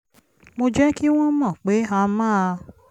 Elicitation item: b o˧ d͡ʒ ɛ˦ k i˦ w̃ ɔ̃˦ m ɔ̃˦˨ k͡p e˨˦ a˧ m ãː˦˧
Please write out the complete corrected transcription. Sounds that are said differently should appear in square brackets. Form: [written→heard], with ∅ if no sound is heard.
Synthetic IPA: [b→m] o˧ d͡ʒ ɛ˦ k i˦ w̃ ɔ̃˦ m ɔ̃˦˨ k͡p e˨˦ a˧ m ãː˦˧